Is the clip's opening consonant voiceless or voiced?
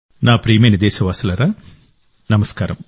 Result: voiced